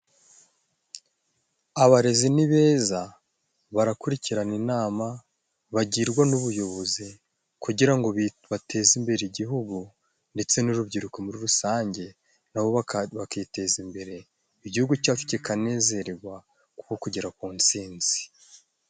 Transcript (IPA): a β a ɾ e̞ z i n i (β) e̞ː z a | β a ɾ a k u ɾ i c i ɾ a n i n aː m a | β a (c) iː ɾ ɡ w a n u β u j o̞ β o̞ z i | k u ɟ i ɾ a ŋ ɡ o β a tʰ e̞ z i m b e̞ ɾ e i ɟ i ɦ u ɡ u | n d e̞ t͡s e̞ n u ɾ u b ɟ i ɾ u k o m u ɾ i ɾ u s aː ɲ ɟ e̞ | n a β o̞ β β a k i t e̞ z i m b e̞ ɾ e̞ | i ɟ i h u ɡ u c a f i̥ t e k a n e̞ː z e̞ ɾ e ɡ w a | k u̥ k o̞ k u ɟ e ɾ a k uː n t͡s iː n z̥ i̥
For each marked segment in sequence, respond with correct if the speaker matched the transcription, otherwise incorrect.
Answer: correct, incorrect: ɟ

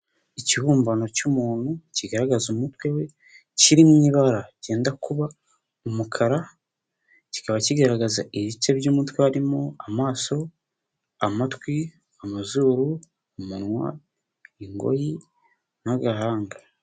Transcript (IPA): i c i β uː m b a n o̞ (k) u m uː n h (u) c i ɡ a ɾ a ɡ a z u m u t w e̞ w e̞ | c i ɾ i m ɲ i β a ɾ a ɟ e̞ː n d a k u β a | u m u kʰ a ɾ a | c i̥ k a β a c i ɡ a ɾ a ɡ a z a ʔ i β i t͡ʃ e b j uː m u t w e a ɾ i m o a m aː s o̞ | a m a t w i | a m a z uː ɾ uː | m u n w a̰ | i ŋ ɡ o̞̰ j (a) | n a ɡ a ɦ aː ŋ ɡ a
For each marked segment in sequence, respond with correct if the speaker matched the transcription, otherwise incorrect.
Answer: incorrect: c, correct, incorrect: i

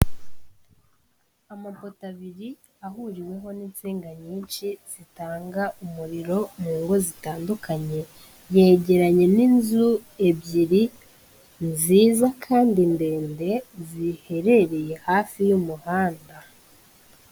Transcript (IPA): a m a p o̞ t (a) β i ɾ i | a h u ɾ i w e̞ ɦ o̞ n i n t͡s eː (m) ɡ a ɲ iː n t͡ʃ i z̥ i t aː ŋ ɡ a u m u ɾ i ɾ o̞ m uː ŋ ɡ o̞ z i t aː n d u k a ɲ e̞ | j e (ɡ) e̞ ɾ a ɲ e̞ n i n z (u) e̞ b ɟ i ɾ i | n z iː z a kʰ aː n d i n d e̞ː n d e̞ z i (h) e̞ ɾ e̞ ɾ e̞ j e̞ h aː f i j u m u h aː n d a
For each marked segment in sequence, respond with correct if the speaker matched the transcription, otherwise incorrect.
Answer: correct, incorrect: ŋ, incorrect: ɟ, correct, correct

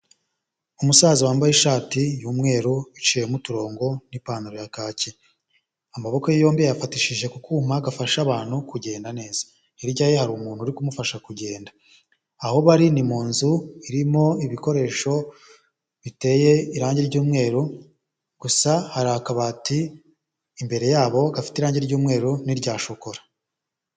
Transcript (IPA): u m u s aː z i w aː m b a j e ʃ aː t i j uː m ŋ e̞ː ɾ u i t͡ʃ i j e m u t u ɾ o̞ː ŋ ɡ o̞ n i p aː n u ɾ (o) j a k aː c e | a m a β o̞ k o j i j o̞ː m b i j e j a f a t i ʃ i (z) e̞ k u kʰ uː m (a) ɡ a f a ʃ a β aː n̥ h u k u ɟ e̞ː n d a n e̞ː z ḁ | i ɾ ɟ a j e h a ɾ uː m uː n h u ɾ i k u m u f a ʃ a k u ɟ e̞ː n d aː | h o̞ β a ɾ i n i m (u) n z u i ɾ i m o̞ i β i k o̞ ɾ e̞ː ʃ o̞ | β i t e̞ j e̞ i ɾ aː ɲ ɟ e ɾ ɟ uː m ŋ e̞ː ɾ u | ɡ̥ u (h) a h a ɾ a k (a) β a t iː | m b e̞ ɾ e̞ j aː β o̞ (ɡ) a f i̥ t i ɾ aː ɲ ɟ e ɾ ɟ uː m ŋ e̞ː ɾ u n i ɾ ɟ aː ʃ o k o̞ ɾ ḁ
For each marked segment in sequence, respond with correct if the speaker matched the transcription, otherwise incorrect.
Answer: correct, incorrect: ʒ, correct, incorrect: uː, incorrect: s, correct, correct

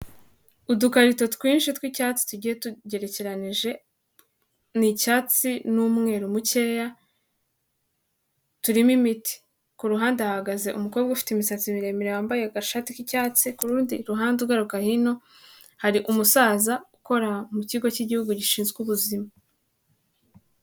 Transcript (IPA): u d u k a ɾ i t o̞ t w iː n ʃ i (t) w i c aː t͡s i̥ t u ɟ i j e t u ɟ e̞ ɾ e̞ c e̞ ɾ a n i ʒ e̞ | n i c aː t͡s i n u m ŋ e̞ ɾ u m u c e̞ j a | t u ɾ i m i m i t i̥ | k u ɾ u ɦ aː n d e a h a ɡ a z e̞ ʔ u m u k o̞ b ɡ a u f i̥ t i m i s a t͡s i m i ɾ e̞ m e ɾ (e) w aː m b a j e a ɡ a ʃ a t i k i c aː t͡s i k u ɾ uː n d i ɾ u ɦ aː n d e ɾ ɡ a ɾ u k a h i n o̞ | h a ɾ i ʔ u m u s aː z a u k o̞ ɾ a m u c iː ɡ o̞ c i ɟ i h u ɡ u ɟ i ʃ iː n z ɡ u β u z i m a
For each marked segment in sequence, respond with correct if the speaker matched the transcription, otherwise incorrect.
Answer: correct, correct

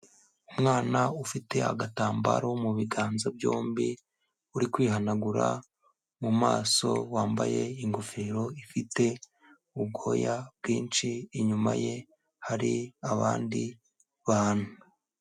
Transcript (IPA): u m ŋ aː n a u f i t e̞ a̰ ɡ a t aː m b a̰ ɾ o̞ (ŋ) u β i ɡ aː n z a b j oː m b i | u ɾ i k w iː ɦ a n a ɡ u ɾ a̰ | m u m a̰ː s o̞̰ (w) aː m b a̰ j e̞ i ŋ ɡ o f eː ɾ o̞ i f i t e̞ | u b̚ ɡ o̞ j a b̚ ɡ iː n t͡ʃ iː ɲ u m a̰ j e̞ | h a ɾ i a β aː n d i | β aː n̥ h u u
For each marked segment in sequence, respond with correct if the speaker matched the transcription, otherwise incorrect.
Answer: incorrect: m, correct

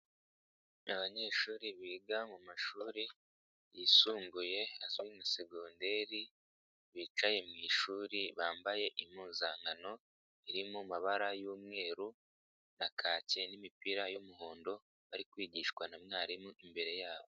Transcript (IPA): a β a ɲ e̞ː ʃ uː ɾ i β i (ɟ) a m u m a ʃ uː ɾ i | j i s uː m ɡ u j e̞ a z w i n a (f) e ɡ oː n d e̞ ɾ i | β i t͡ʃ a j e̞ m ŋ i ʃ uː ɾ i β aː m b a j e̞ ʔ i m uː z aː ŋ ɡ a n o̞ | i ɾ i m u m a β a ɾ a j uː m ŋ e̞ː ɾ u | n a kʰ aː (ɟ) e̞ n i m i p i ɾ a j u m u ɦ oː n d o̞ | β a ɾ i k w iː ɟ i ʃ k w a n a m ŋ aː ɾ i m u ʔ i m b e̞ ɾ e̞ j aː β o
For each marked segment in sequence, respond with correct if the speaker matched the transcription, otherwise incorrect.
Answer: incorrect: ɡ, incorrect: s, incorrect: c

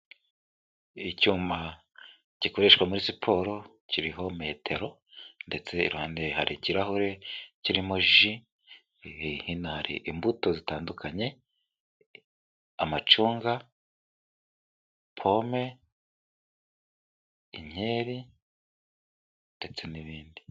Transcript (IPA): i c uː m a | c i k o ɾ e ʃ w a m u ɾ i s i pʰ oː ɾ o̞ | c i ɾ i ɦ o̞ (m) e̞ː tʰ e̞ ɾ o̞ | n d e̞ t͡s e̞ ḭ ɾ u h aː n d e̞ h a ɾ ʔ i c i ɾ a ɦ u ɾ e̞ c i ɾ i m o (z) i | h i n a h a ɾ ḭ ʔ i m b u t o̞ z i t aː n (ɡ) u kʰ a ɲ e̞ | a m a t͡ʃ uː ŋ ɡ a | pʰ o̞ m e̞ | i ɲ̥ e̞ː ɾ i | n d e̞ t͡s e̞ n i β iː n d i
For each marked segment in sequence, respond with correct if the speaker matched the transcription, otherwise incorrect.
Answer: correct, incorrect: ʒ, incorrect: d

